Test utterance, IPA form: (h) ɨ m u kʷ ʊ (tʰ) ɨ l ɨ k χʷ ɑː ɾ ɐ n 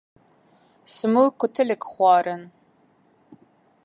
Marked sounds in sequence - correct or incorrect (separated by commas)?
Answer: incorrect, correct